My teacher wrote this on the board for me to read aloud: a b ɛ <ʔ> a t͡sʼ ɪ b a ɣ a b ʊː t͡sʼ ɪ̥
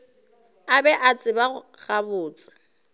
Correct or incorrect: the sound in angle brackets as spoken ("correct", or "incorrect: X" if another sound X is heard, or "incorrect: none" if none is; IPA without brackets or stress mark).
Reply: correct